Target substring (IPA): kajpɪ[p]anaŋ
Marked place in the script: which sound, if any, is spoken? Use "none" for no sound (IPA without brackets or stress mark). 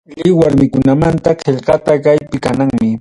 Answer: k